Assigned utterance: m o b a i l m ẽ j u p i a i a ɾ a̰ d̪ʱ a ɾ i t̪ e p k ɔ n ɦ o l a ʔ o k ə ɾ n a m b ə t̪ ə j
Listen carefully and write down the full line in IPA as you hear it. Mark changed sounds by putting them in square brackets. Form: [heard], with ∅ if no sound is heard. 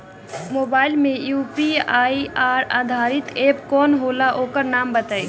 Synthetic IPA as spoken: m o b a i l m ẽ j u p i a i a ɾ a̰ d̪ʱ a ɾ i t̪ e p k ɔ n ɦ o l a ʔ o k ə ɾ n a m b ə t̪ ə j